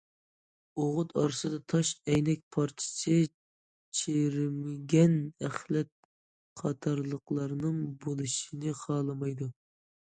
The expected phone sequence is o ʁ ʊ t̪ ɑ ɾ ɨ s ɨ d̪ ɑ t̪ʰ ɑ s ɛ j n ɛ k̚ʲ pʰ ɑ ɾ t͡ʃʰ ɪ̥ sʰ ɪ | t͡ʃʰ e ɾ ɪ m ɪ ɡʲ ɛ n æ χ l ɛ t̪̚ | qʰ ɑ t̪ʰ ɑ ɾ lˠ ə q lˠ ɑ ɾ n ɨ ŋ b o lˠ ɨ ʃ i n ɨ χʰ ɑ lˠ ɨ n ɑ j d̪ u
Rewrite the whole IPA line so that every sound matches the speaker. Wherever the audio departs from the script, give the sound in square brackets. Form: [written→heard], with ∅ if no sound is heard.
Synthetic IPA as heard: o ʁ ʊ t̪ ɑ ɾ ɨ s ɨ d̪ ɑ t̪ʰ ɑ [s→ʃ] ɛ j n ɛ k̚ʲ pʰ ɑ ɾ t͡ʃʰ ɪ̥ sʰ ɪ | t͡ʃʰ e ɾ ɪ m ɪ ɡʲ ɛ n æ χ l ɛ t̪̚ | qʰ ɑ t̪ʰ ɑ ɾ lˠ ə q lˠ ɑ ɾ n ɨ ŋ b o lˠ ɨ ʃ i n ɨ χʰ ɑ lˠ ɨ [n→m] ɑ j d̪ u